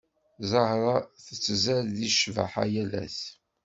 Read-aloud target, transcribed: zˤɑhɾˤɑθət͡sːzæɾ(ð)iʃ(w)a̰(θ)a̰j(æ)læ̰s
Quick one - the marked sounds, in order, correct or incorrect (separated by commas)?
correct, incorrect, incorrect, correct